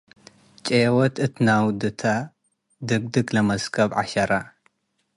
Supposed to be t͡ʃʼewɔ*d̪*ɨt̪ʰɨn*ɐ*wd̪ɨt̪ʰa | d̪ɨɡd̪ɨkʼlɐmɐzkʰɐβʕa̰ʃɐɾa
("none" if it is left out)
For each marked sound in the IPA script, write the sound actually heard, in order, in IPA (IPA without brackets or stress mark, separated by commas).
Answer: t̪, a